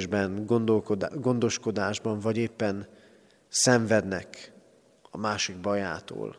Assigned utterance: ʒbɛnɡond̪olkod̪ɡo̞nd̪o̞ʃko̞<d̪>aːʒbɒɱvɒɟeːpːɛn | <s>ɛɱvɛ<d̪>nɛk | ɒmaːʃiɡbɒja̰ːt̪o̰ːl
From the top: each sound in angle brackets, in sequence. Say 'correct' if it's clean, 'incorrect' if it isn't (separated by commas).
correct, correct, correct